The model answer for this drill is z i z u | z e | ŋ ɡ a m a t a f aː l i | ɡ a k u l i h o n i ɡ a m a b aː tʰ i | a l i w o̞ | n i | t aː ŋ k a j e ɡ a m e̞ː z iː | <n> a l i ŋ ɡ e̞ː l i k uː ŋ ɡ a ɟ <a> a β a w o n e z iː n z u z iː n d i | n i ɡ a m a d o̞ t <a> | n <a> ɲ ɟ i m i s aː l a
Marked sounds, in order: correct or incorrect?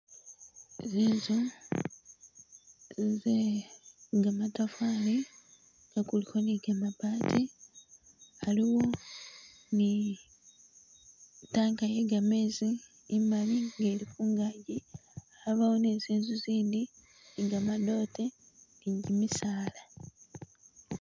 incorrect, incorrect, incorrect, incorrect

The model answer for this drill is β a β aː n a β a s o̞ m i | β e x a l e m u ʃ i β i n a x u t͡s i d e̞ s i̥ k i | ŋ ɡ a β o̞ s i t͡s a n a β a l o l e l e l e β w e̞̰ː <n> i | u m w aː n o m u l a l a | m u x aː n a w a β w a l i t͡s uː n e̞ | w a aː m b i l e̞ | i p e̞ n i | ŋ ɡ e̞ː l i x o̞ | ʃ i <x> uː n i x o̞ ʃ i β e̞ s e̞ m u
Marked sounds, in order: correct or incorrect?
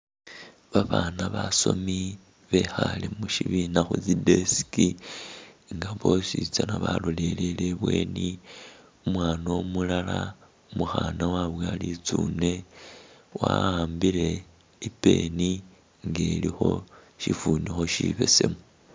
correct, incorrect

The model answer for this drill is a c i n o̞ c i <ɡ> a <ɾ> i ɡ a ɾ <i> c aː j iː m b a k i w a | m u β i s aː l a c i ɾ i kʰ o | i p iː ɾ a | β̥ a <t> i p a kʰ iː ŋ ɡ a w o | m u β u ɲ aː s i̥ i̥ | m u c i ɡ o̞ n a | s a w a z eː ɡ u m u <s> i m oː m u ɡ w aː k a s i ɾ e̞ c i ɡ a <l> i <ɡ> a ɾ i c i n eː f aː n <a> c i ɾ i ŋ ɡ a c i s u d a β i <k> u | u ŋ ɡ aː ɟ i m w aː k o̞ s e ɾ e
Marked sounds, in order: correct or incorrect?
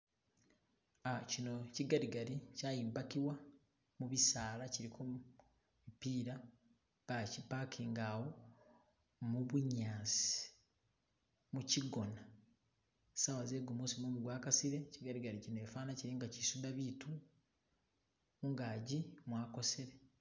correct, correct, correct, incorrect, correct, incorrect, correct, correct, incorrect

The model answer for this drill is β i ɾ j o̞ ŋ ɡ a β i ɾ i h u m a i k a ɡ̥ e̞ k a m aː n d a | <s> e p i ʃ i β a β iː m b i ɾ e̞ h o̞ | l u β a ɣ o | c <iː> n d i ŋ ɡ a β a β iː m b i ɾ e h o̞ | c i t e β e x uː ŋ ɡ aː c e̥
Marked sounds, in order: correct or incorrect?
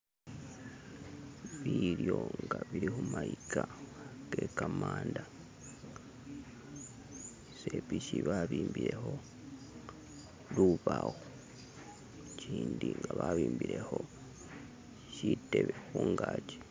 correct, correct

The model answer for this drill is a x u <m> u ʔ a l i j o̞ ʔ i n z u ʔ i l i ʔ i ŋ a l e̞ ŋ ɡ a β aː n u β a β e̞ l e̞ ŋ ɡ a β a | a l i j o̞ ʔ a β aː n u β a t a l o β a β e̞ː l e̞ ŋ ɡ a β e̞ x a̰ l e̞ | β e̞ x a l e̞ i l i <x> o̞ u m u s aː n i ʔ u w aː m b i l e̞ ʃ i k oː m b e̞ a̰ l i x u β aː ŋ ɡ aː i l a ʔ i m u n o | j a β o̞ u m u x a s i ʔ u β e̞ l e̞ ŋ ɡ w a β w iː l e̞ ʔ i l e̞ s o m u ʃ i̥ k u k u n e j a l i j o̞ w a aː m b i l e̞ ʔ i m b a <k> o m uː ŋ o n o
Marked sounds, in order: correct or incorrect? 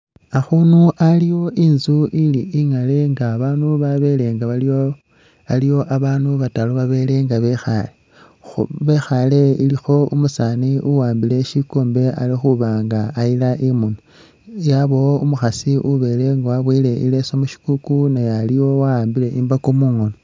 incorrect, correct, correct

